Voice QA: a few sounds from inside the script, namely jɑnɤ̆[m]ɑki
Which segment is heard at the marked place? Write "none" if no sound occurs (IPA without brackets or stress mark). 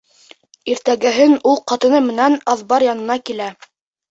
n